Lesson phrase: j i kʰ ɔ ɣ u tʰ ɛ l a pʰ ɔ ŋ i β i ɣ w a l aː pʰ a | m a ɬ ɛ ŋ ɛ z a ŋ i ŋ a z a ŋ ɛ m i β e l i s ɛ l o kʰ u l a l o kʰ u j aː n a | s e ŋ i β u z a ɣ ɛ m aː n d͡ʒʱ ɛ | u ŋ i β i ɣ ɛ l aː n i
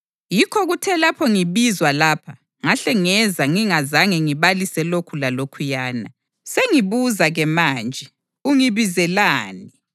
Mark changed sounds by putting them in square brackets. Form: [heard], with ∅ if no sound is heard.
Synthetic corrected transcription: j i kʰ ɔ ɣ u tʰ ɛ l a pʰ ɔ ŋ i β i [z] w a l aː pʰ a | [ŋ] a ɬ ɛ ŋ ɛ z a ŋ i ŋ a z a ŋ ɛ [ŋ] i β [a] l i s ɛ l o kʰ u l a l o kʰ u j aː n a | s e ŋ i β u z a ɣ ɛ m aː n d͡ʒʱ ɛ | u ŋ i β i [z] ɛ l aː n i